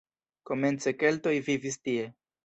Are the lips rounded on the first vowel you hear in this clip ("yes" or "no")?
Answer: yes